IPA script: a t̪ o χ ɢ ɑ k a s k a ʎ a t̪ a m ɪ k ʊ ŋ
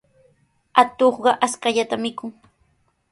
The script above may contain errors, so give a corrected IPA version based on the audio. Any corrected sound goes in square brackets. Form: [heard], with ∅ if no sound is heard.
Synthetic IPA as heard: a t̪ o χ ɢ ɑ [ʔ] a s k a ʎ a t̪ a m ɪ k ʊ ŋ